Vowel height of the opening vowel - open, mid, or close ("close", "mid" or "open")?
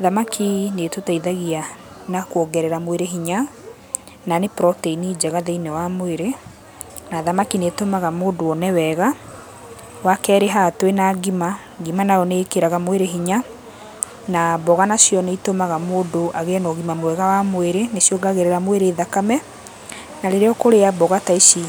open